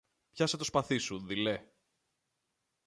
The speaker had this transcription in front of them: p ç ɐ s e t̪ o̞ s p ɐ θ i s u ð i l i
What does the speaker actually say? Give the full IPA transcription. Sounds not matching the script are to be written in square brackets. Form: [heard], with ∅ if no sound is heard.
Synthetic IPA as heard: p ç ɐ s e t̪ o̞ s p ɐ θ i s u ð i l [e]